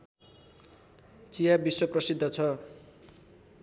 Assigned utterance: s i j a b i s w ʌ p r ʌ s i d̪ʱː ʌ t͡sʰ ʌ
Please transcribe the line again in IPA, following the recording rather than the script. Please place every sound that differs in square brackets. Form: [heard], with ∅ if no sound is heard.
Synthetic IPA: [t͡s] i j a b i s w ʌ p r ʌ s i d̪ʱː ʌ t͡sʰ ʌ